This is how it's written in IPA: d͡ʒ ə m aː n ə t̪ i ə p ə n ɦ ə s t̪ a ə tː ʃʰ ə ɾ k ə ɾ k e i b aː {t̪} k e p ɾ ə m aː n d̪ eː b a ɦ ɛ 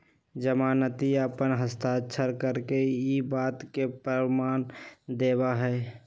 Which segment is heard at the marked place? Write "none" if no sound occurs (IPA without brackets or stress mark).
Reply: t̪